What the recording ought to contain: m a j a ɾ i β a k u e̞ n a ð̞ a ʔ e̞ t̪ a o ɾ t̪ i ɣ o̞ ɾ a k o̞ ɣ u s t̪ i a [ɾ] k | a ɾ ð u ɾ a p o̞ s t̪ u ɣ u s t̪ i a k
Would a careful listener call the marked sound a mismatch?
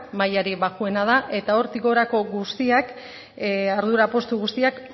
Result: yes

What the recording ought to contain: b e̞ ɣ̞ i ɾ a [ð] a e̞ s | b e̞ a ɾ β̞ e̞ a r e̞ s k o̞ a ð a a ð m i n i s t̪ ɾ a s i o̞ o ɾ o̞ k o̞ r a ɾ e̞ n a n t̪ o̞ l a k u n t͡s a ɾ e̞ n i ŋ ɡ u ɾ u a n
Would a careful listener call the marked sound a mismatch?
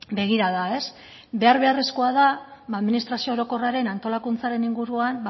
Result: no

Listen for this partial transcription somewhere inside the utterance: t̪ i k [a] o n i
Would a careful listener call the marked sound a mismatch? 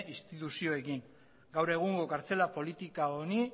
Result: no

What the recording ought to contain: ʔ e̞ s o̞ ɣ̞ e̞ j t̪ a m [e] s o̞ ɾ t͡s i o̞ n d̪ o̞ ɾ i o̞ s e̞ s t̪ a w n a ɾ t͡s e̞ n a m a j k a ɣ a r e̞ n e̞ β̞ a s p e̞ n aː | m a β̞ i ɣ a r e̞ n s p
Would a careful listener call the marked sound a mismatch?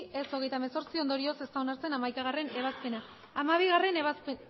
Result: no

